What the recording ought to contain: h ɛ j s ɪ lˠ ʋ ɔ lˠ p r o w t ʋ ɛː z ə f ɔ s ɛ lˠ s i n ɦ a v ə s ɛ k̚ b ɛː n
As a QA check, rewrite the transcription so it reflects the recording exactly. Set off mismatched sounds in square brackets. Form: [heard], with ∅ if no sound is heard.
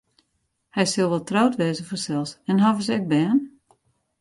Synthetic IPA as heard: h ɛ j s ɪ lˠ ʋ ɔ lˠ [t] r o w t ʋ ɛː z ə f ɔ s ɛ lˠ s [ɛ] n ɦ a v ə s ɛ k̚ b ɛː n